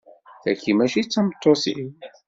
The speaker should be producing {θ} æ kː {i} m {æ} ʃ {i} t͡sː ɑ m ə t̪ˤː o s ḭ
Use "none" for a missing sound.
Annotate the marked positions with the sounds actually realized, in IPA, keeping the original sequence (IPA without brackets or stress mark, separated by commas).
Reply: θ, i, æ, i